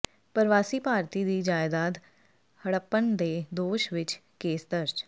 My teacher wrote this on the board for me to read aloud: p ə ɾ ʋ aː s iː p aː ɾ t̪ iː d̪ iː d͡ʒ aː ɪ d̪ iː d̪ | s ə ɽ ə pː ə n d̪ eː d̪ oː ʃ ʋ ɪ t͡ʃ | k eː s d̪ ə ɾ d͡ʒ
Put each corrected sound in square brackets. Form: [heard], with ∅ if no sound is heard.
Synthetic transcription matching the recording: p ə ɾ ʋ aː s iː p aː ɾ t̪ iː d̪ iː d͡ʒ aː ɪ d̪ [aː] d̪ | [h] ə ɽ ə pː ə n d̪ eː d̪ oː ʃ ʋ ɪ t͡ʃ | k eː s d̪ ə ɾ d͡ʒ